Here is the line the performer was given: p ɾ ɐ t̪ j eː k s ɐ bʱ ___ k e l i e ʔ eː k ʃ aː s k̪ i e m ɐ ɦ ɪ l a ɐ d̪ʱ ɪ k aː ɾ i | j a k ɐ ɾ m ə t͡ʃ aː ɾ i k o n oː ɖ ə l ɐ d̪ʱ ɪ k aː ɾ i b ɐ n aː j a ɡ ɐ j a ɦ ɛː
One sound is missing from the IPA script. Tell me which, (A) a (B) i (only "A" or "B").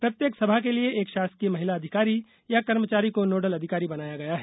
A